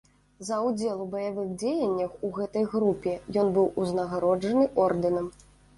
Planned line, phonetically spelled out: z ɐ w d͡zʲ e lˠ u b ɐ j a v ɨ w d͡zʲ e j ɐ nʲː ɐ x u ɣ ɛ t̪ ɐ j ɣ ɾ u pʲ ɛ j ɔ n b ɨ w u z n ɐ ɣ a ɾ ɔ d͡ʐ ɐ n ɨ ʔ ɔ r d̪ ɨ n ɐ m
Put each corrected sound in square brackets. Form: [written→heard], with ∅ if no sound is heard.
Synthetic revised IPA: z ɐ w d͡zʲ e lˠ u b ɐ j a v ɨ [w→ɣ] d͡zʲ e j ɐ nʲː ɐ x u ɣ ɛ t̪ ɐ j ɣ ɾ u pʲ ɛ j ɔ n b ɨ w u z n ɐ ɣ a ɾ ɔ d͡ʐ ɐ n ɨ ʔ ɔ r d̪ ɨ n ɐ m